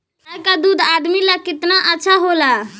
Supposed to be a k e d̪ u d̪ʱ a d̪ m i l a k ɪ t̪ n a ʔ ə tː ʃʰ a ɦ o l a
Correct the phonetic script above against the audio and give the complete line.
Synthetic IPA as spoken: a k a d̪ u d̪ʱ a d̪ m i l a k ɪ t̪ n a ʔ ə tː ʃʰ a ɦ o l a